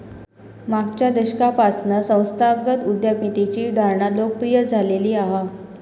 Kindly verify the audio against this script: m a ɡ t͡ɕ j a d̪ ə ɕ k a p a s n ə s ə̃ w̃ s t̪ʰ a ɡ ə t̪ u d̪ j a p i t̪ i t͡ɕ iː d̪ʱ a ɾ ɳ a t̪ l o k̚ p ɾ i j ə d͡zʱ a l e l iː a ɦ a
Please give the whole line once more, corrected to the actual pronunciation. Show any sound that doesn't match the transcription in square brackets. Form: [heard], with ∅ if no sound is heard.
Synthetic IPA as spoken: m a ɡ t͡ɕ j a d̪ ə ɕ k a p a s n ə s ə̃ w̃ s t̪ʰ a ɡ ə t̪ u d̪ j a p i t̪ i t͡ɕ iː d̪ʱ a ɾ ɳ a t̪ l o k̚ p ɾ i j ə d͡zʱ a l e l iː a ɦ a